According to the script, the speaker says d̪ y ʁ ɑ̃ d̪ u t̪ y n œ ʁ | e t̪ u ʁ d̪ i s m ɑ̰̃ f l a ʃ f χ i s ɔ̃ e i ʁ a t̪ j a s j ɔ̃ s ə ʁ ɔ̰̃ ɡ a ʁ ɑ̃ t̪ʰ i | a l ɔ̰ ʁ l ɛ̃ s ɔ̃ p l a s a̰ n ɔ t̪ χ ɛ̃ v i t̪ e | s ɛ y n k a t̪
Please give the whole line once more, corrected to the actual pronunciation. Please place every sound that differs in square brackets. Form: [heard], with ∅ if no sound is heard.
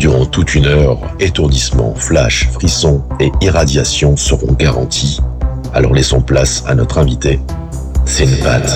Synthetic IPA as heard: d̪ y ʁ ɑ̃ [t̪] u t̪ y n œ ʁ | e t̪ u ʁ d̪ i s m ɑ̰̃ f l a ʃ f χ i s ɔ̃ e i ʁ a [d̪] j a s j ɔ̃ s ə ʁ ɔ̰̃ ɡ a ʁ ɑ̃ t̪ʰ i | a l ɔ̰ ʁ l [ɛ] s ɔ̃ p l a s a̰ n ɔ t̪ χ ɛ̃ v i t̪ e | s ɛ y n [p] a t̪